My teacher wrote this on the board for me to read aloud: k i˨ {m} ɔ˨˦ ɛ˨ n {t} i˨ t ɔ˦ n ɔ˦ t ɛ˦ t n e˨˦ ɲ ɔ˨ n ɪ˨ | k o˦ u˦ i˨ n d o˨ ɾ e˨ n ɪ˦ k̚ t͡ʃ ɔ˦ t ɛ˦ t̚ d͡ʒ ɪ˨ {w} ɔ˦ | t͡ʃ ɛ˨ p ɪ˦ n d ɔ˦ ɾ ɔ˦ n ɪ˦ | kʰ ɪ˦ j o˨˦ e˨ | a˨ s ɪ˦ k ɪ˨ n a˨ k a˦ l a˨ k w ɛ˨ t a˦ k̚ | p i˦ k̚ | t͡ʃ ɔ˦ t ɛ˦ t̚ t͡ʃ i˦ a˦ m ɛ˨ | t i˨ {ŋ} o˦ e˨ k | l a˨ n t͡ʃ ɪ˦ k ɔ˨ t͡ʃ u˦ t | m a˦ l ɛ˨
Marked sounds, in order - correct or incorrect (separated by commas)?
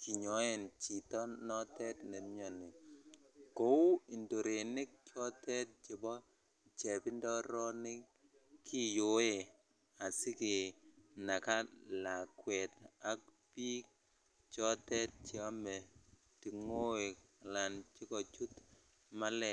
incorrect, incorrect, incorrect, correct